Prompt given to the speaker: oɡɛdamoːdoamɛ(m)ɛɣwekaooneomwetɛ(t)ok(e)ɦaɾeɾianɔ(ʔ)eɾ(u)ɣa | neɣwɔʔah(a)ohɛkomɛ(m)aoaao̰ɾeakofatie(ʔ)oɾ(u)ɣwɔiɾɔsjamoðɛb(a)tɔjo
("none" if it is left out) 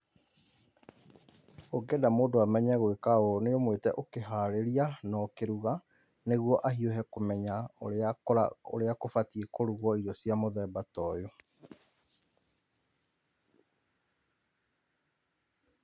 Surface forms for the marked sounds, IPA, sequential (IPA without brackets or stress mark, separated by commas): ɲ, ʔ, e, k, u, i, ɲ, k, u, a